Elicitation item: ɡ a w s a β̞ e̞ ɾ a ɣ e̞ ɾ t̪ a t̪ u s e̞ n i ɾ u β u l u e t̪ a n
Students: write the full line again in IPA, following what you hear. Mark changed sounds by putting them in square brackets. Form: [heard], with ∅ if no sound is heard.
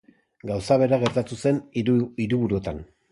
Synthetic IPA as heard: ɡ a w s a β̞ e̞ ɾ a ɣ e̞ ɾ t̪ a t̪ u s e̞ n i ɾ u β u [ɾ] u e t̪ a n